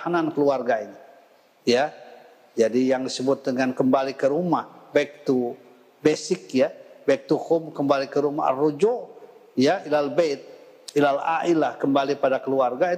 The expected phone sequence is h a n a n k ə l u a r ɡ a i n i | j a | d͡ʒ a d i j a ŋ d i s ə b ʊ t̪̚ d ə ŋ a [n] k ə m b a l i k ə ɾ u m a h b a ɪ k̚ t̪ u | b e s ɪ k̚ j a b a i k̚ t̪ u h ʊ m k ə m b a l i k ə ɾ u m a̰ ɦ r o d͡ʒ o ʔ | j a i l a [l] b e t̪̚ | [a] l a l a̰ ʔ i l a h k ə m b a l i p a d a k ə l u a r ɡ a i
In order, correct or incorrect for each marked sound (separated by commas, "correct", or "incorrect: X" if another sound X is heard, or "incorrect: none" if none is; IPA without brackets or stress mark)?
correct, correct, incorrect: i